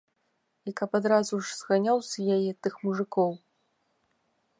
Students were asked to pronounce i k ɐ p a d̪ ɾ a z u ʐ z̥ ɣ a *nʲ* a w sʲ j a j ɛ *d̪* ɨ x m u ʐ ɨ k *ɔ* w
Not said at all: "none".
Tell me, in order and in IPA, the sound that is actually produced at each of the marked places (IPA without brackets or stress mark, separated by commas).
nʲ, t̪, ɔ